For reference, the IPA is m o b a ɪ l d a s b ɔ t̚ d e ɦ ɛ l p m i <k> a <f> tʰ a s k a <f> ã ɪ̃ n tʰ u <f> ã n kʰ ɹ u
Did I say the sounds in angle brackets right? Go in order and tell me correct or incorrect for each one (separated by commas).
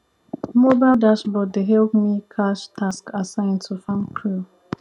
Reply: incorrect, incorrect, incorrect, correct